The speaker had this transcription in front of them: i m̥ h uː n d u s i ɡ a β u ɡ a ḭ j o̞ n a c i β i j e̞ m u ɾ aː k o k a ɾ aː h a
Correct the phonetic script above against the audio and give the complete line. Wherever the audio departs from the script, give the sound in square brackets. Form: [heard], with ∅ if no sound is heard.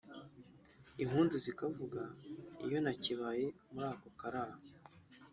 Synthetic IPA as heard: i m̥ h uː n d u [z] i [k] a [v] u ɡ a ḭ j o̞ n a c i β [a] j e̞ m u ɾ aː k o k a ɾ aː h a